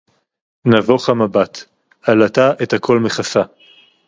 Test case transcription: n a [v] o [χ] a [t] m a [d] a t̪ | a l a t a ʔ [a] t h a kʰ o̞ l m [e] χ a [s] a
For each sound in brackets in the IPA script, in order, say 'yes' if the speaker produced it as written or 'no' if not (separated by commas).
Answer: yes, yes, no, no, no, yes, yes